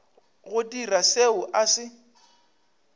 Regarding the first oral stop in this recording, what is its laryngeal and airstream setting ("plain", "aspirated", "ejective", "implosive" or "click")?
plain